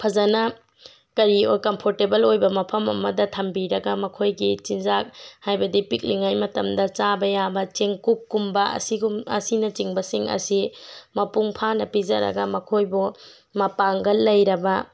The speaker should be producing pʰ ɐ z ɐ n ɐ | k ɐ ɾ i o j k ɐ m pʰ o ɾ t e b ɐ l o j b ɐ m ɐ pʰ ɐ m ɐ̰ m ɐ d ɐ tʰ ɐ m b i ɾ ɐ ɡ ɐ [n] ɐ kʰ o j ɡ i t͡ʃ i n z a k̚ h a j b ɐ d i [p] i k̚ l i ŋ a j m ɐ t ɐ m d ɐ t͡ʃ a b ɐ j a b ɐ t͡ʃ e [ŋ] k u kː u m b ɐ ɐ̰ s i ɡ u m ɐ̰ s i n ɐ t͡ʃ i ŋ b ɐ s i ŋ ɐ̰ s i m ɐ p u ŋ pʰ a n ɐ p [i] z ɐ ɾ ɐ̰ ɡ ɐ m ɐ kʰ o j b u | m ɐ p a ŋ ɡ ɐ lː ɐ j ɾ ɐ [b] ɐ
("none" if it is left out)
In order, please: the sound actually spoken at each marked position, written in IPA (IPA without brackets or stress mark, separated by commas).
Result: m, p, ŋ, i, b